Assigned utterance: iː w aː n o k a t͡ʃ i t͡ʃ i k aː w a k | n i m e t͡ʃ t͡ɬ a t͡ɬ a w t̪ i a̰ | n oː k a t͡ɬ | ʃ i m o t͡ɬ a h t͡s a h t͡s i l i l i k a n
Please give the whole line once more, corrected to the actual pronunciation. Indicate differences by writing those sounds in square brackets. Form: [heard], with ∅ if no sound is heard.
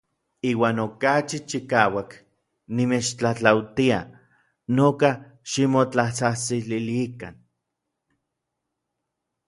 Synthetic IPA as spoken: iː w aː n o k a t͡ʃ i t͡ʃ i k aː w a k | n i m e t͡ʃ t͡ɬ a t͡ɬ a w t̪ i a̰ | n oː k a [∅] | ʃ i m o t͡ɬ a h t͡s a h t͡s i l i l i k a n